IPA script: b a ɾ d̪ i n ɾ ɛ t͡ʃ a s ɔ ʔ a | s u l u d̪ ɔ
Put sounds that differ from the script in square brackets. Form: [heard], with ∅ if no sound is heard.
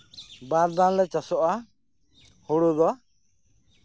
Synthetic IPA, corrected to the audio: b a ɾ d̪ [a] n [l] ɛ t͡ʃ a s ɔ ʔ a | [h] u [ɽ] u d̪ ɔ